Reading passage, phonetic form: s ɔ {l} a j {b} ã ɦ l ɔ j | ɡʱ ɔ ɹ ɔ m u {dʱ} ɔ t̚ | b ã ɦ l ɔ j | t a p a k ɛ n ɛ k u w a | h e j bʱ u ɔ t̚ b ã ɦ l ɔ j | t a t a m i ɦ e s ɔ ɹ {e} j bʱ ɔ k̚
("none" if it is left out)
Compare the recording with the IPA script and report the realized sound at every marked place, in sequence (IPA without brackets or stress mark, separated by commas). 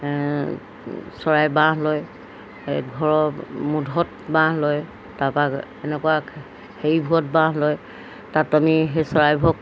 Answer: ɹ, b, dʱ, a